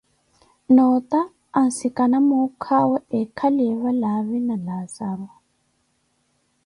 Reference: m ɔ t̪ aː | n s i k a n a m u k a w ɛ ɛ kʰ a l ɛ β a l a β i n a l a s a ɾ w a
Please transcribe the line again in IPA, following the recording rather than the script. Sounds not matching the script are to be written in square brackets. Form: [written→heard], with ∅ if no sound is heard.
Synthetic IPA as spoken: [m→n] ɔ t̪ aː | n s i k a n a m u [k→kʰ] a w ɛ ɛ kʰ a l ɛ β a l a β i n a l a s a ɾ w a